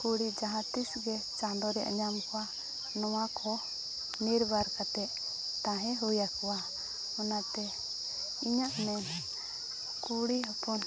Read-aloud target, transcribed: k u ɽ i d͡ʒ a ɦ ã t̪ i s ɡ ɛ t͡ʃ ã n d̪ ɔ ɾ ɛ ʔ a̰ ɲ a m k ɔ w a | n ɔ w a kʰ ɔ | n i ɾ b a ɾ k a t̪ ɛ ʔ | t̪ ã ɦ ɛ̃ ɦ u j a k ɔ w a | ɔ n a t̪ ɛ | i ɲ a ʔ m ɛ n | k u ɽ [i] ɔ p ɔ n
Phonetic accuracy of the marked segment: correct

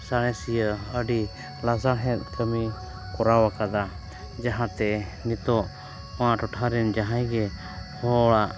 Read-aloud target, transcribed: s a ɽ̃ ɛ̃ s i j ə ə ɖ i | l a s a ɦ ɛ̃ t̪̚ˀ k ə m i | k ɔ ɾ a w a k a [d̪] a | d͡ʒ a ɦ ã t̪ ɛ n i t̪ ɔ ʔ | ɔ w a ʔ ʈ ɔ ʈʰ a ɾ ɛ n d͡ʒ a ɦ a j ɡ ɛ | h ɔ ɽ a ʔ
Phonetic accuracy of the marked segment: correct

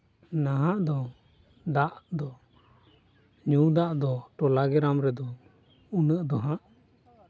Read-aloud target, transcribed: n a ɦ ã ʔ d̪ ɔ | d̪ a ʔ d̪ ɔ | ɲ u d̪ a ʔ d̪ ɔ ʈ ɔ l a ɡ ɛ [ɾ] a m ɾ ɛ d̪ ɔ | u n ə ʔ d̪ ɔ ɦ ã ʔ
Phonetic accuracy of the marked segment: correct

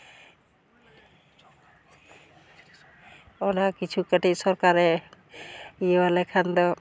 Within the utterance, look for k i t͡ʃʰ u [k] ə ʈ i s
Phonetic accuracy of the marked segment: correct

